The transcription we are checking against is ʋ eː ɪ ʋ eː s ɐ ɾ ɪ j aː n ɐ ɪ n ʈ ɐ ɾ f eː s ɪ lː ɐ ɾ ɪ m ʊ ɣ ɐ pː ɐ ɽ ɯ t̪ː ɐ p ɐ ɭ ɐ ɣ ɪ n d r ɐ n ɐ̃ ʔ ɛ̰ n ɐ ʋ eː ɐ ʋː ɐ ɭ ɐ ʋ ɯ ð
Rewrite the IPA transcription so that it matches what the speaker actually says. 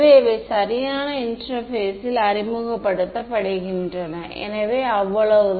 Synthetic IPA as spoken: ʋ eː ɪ ʋ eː s ɐ ɾ ɪ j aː n ɐ ɪ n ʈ ɐ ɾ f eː s ɪ l ɐ ɾ ɪ m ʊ ɣ ɐ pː ɐ ɽ ɯ t̪ː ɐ p ɐ ɽ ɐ ɣ ɪ n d r ɐ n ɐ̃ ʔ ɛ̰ n ɐ ʋ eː ɐ ʋː ɐ ɭ ɐ ʋ ɯ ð